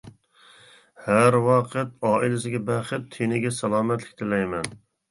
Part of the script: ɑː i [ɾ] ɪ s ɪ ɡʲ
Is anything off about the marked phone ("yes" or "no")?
yes